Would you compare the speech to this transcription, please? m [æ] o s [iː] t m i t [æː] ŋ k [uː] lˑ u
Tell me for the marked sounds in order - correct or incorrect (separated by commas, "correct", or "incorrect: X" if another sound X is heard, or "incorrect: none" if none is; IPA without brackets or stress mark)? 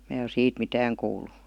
incorrect: æː, correct, correct, correct